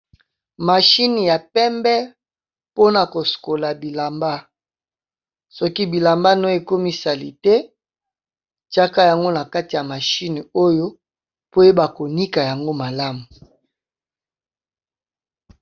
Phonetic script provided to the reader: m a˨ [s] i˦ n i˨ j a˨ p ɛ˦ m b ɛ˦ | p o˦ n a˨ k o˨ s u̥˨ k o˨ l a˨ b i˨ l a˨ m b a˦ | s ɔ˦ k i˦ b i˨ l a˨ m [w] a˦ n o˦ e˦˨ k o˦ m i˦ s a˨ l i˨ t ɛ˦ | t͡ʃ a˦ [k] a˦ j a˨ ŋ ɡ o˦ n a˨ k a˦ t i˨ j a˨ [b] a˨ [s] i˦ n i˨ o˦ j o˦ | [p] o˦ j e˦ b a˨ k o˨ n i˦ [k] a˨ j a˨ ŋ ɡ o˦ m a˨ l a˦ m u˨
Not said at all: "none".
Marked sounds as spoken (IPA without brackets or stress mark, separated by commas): ʃ, b, k, m, ʃ, p, k